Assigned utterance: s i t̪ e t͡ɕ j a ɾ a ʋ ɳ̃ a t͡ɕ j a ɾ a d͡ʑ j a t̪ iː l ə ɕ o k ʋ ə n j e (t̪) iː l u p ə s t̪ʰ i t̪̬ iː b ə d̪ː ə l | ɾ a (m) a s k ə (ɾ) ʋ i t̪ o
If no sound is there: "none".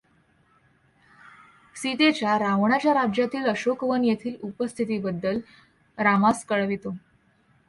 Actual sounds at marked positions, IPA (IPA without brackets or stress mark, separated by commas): t̪ʰ, m, ɭ